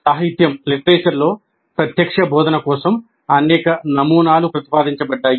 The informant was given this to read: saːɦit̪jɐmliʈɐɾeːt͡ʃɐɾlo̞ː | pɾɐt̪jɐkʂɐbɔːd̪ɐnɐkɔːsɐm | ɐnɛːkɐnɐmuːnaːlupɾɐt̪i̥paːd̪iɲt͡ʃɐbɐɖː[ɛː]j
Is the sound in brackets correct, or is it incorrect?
incorrect: aː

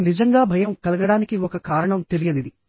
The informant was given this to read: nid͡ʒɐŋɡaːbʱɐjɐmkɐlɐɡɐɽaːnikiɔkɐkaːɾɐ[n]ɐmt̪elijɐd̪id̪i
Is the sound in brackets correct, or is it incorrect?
incorrect: ɳ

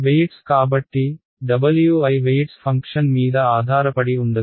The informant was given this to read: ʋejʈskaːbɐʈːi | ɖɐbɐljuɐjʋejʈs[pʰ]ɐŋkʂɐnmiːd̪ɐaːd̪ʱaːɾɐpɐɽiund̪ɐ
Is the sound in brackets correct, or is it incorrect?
correct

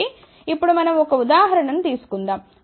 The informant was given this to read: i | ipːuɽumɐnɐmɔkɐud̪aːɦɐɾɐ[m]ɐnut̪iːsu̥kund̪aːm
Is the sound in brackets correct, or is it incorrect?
incorrect: ɳ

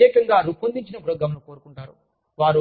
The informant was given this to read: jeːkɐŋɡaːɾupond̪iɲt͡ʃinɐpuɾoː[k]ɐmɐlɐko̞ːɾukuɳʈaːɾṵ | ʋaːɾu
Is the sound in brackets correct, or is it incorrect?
incorrect: ɡ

